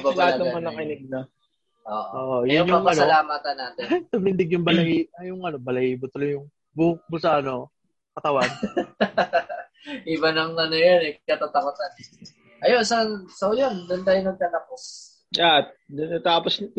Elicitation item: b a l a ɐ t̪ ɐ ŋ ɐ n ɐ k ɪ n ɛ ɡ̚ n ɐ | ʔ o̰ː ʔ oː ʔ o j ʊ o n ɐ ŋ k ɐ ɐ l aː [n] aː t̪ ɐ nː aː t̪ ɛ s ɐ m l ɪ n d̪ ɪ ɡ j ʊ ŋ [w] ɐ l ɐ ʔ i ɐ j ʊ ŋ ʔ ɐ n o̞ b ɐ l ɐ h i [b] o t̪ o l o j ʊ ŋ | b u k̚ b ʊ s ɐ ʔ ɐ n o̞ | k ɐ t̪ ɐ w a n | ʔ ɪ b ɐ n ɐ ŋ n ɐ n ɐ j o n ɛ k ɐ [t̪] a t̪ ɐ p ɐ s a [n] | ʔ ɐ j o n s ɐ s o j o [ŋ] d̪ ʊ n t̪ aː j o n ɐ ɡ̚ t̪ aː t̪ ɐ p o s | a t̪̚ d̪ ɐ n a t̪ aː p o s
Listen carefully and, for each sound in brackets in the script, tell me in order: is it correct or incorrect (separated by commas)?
incorrect, incorrect, correct, correct, correct, incorrect